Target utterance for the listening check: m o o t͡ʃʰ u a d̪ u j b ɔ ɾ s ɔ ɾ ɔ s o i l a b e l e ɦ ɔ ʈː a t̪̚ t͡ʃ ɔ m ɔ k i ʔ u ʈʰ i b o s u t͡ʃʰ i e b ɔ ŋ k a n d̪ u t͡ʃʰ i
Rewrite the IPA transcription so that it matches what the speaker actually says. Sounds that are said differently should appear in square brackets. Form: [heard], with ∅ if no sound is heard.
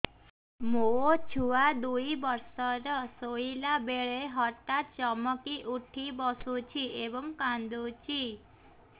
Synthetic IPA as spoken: m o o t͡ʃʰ u a d̪ u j b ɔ ɾ s ɔ ɾ ɔ s o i l a b e [ɭ] e ɦ ɔ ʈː a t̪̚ t͡ʃ ɔ m ɔ k i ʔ u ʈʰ i b [ɔ] s u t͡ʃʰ i e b ɔ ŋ k a n d̪ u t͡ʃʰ i